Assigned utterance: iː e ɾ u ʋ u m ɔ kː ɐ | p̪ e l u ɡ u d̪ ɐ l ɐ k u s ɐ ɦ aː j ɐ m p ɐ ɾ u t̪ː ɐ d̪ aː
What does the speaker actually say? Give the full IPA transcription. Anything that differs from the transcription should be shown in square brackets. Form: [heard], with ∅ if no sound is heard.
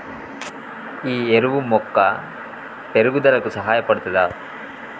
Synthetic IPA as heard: iː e ɾ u ʋ u m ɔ kː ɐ | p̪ e [ɾ] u ɡ u d̪ ɐ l ɐ k u s ɐ ɦ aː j ɐ [∅] p ɐ [ɽ] u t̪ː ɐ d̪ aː